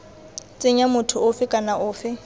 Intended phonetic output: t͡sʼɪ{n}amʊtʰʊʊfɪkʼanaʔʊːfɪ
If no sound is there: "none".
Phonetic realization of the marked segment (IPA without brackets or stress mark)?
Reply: ɲ